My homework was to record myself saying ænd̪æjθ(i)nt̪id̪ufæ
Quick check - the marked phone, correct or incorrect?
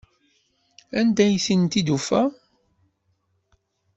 correct